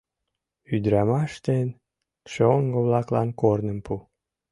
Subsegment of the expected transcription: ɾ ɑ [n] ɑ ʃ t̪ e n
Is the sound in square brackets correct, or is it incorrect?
incorrect